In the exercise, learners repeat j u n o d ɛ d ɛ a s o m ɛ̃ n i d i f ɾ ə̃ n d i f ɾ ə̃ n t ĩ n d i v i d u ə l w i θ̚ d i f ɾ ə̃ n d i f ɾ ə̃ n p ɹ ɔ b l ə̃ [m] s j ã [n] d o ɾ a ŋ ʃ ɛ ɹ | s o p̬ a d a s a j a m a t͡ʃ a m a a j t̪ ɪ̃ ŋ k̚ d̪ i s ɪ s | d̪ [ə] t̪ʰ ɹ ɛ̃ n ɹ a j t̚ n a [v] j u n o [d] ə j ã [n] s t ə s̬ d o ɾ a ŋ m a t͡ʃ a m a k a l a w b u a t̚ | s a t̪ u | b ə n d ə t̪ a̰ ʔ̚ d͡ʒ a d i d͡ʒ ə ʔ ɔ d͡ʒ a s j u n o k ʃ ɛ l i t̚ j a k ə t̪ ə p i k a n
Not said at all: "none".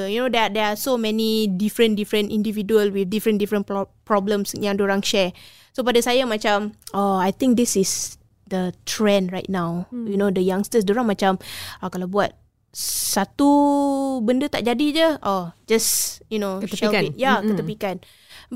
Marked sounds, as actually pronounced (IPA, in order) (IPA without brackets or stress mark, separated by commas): m, ŋ, ə, w, d, ŋ